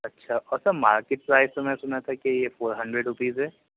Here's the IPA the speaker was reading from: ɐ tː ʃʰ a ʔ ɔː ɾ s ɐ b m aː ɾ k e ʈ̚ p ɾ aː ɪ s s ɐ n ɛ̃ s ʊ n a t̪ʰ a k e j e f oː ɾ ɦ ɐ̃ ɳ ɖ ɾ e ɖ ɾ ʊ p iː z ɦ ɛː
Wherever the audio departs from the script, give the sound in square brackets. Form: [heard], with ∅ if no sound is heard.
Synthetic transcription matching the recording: ɐ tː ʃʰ a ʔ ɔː ɾ s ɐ b m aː ɾ k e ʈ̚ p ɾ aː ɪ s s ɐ [m] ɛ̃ s ʊ n a t̪ʰ a k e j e f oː ɾ ɦ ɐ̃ ɳ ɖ ɾ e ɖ ɾ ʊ p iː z ɦ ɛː